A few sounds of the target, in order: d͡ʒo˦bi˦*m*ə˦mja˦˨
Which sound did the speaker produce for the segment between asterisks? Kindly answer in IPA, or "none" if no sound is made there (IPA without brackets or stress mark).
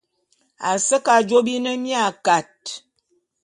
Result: n